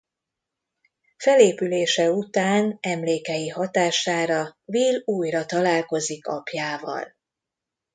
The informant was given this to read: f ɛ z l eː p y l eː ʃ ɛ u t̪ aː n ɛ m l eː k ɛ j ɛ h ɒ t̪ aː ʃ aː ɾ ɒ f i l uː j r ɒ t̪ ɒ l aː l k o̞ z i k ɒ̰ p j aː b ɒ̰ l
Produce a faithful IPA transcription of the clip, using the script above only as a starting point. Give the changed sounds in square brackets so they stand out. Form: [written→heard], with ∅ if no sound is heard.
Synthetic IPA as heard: f ɛ [z→∅] l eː p y l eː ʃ ɛ u t̪ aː n ɛ m l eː k ɛ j [ɛ→i] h ɒ t̪ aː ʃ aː ɾ ɒ [f→v] i l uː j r ɒ t̪ ɒ l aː l k o̞ z i k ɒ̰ p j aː [b→v] ɒ̰ l